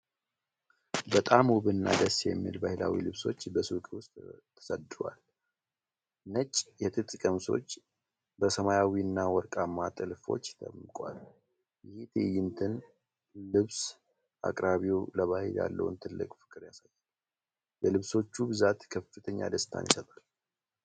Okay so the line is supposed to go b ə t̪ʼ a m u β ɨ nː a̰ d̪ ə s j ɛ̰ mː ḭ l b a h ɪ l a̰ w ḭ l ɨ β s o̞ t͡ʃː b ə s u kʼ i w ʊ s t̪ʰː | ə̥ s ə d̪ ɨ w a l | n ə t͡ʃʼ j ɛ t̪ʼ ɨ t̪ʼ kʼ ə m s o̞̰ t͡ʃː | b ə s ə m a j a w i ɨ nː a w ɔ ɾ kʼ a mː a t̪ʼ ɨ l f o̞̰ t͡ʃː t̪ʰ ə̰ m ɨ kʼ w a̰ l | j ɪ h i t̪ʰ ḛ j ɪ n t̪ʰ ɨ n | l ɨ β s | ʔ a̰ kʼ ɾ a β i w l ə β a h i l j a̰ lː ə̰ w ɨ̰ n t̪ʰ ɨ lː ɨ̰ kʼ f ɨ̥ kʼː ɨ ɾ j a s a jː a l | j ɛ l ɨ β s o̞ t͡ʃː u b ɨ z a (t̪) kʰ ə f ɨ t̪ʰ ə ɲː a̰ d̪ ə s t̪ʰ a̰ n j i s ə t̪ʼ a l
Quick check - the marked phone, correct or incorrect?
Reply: correct